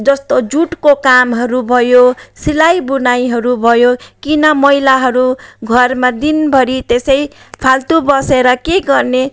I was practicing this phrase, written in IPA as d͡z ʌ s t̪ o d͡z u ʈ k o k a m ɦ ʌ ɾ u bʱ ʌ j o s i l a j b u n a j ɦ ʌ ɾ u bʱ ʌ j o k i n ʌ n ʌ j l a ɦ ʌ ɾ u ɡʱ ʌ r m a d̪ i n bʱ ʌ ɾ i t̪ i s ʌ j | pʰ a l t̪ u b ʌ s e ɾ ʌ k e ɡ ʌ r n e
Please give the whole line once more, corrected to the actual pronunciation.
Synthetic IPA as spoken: d͡z ʌ s t̪ o d͡z u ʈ k o k a m ɦ ʌ ɾ u bʱ ʌ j o s i l a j b u n a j ɦ ʌ ɾ u bʱ ʌ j o k i n ʌ m ʌ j l a ɦ ʌ ɾ u ɡʱ ʌ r m a d̪ i n bʱ ʌ ɾ i t̪ e s ʌ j | pʰ a l t̪ u b ʌ s e ɾ ʌ k e ɡ ʌ r n e

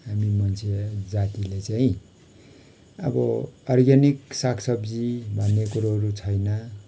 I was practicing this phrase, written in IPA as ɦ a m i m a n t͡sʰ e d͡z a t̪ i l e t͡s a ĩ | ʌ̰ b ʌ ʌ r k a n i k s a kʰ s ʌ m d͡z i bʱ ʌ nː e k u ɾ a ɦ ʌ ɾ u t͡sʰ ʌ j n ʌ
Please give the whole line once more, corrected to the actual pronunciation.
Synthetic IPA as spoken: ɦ a m i m ʌ n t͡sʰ e d͡z a t̪ i l e t͡s a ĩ | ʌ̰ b ʌ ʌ r ɡ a n i k s a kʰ s ʌ b d͡z i bʱ ʌ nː e k u ɾ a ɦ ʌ ɾ u t͡sʰ ʌ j n ʌ

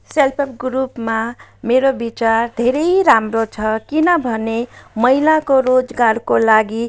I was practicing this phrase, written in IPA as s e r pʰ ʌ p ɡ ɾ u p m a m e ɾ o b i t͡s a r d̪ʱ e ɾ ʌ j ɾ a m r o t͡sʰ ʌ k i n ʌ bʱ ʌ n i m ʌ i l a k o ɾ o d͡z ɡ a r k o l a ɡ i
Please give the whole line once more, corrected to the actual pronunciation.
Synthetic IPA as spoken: s e l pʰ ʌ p ɡ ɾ u p m a m e ɾ o b i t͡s a r d̪ʱ e ɾ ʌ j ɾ a m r o t͡sʰ ʌ k i n ʌ bʱ ʌ n e m ʌ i l a k o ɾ o d͡z ɡ a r k o l a ɡ i

